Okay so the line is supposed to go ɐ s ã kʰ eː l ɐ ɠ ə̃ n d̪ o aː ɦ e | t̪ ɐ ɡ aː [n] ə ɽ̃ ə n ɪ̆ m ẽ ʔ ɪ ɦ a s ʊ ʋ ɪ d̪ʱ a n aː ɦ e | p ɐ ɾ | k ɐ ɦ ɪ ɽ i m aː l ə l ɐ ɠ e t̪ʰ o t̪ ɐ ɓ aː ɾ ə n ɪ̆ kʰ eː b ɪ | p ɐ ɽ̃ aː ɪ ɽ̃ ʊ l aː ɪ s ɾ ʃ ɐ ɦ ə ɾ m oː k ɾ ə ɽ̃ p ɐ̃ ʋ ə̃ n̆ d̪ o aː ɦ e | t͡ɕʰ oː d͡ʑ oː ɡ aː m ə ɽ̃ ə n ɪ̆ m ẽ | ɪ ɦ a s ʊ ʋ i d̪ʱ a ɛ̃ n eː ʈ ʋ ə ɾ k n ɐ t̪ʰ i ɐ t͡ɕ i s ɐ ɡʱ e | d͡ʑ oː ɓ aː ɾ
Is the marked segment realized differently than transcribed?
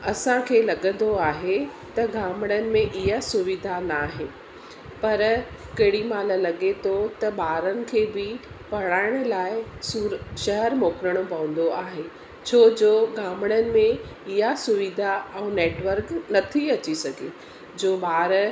yes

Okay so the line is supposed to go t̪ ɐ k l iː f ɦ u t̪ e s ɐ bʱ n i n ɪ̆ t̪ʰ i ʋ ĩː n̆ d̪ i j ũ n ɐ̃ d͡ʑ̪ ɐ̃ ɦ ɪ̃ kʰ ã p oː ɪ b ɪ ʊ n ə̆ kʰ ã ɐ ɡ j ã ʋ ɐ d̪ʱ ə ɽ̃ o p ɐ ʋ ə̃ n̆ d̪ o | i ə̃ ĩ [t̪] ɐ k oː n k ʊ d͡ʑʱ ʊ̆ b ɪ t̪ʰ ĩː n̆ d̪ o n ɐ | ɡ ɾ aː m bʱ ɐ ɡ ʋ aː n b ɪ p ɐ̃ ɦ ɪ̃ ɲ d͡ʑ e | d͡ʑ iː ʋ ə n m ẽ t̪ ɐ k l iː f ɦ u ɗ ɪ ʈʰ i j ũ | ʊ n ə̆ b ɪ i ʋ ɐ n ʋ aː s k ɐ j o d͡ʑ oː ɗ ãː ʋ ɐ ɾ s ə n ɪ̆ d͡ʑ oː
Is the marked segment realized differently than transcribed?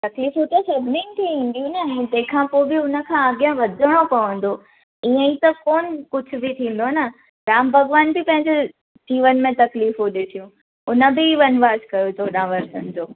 no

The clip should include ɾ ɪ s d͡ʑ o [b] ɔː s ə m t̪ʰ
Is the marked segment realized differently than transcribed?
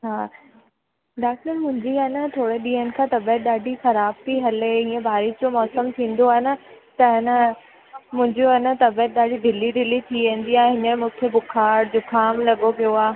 yes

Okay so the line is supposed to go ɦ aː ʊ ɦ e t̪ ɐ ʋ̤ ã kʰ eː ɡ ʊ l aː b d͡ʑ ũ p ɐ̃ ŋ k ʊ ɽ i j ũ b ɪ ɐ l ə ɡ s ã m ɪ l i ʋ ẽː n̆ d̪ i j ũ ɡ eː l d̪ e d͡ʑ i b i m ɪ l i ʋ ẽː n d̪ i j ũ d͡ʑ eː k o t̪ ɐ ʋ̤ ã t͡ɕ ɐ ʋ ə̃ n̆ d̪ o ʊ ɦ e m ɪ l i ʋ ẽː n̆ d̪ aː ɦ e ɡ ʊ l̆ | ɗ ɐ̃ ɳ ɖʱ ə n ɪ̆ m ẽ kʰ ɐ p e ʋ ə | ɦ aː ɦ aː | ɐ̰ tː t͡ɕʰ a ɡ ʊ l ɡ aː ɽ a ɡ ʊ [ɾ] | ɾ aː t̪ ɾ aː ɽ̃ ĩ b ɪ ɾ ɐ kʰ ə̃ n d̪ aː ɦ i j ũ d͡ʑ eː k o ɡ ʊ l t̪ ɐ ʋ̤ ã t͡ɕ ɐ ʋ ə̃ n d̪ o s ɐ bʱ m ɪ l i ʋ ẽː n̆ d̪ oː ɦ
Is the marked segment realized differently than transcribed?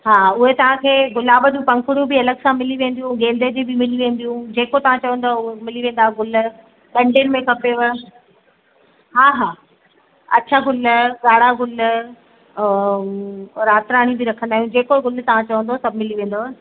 yes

